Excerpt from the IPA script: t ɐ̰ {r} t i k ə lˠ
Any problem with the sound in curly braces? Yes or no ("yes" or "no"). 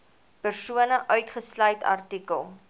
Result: no